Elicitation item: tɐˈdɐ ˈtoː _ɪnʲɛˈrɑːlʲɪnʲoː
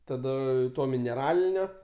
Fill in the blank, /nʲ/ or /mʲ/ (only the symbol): mʲ